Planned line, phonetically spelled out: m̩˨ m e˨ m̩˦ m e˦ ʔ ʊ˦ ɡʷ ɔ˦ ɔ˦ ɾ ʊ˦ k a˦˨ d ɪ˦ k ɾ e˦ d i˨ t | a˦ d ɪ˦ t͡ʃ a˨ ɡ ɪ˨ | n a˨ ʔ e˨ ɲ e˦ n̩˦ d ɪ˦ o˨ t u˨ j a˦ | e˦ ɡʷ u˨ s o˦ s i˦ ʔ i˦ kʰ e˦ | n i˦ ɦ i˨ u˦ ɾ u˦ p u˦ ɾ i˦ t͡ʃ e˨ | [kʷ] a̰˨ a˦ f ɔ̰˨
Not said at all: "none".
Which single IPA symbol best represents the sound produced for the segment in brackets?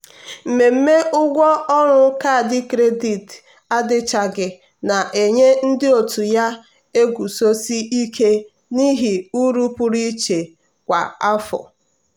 kʷ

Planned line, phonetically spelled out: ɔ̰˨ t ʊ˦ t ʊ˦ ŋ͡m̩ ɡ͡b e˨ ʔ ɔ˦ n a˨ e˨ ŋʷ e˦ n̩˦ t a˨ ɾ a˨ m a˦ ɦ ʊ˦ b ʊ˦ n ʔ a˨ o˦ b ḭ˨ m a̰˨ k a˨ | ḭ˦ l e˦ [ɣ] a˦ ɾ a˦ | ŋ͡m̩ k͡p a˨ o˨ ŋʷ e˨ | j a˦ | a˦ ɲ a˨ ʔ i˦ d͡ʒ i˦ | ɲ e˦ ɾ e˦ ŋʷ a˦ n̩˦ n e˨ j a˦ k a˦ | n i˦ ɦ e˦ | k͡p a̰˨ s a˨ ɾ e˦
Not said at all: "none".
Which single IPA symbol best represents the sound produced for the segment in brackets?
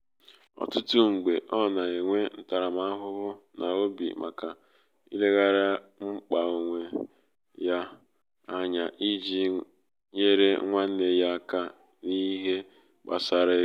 ɣ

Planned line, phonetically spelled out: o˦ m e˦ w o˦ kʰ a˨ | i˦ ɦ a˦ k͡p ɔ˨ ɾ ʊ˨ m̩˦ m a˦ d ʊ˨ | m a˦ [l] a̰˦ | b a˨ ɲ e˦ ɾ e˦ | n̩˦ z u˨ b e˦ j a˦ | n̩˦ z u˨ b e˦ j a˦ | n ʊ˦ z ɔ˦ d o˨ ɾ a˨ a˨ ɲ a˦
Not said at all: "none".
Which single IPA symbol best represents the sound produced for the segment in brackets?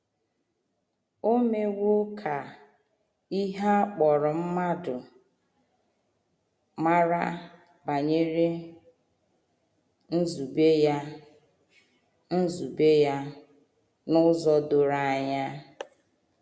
ɾ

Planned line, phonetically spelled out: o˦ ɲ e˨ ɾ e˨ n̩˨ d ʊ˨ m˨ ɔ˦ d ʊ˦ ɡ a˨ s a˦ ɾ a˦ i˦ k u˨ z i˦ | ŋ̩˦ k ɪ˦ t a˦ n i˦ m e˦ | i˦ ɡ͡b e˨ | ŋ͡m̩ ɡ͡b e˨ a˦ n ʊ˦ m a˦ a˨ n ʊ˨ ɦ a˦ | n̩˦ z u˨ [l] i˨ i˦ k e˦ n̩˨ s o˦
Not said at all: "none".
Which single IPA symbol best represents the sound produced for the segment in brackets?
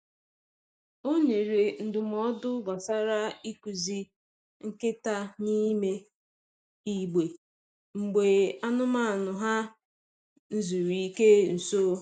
ɾ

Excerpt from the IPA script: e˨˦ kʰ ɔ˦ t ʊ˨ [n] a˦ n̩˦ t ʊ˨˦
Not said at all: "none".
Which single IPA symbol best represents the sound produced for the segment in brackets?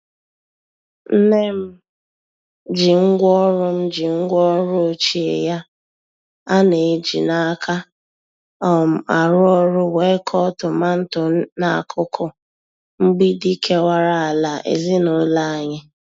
m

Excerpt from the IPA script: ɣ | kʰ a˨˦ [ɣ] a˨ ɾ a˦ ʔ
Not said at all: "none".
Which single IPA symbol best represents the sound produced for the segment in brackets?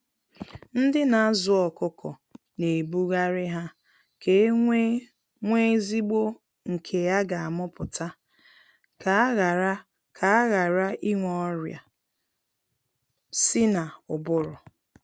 ɣ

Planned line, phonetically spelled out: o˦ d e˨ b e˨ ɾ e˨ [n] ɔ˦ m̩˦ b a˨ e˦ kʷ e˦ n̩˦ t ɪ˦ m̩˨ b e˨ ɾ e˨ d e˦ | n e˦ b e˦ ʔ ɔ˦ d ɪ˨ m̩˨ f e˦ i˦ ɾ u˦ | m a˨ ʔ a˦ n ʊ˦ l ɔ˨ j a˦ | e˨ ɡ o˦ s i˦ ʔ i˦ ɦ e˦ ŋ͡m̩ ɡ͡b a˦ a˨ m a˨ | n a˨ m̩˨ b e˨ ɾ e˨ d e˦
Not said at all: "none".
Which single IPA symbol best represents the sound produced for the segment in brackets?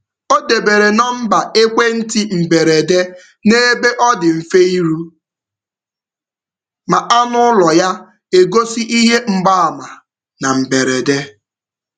n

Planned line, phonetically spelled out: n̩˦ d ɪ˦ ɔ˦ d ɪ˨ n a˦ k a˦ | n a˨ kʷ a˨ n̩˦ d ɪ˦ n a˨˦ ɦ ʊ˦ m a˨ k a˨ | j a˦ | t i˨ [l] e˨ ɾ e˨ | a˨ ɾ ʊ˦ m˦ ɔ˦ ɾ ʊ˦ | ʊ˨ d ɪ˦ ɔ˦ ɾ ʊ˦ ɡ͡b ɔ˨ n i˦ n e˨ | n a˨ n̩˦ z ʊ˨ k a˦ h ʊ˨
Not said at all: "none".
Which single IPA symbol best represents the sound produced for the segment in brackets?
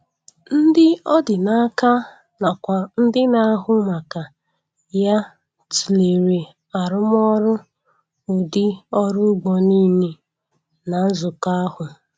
l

